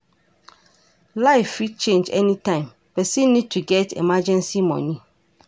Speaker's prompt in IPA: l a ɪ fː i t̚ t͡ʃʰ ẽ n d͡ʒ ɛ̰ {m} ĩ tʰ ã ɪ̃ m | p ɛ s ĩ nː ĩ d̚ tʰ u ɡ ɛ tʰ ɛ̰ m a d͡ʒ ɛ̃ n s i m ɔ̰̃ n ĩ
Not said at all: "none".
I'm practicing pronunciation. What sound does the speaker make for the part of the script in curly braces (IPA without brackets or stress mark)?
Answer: n